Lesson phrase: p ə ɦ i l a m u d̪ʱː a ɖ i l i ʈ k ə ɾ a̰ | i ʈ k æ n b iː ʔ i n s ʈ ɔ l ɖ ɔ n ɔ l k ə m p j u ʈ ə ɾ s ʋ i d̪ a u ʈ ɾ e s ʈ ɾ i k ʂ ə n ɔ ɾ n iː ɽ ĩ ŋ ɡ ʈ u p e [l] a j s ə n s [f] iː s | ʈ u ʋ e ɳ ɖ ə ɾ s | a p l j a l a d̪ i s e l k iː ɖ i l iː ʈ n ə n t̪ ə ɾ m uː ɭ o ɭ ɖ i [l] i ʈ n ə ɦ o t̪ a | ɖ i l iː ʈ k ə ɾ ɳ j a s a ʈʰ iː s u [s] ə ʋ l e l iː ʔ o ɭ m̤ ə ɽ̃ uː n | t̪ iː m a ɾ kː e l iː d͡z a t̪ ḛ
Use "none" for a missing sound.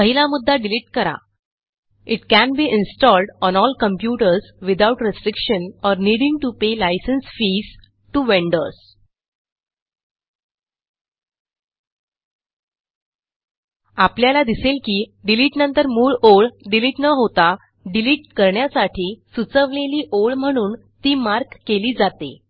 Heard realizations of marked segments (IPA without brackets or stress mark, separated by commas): l, f, l, t͡s